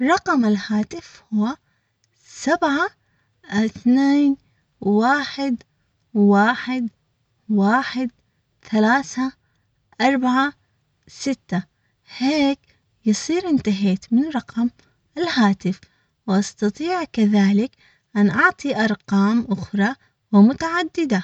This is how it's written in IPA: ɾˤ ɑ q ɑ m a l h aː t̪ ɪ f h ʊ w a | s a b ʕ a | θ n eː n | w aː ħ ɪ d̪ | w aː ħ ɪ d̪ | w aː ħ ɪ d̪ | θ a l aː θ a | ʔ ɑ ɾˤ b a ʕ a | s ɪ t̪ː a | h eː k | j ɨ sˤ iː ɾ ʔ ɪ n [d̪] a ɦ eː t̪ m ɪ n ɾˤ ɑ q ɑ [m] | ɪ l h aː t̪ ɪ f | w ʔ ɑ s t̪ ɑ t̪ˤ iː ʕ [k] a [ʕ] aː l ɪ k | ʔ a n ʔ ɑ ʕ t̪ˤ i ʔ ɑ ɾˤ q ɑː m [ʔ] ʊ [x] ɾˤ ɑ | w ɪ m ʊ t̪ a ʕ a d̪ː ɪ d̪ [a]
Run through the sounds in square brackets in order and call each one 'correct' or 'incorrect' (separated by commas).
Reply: incorrect, correct, correct, incorrect, correct, correct, correct